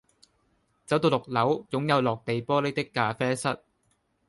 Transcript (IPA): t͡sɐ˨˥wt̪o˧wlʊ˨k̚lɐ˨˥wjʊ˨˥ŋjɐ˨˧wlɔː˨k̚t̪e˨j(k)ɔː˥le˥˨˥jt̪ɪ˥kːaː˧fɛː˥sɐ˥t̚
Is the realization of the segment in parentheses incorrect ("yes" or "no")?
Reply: yes